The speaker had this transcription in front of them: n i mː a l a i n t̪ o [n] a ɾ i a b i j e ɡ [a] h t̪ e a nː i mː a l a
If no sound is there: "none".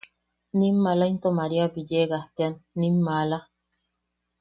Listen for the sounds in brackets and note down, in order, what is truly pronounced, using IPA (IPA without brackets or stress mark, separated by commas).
m, a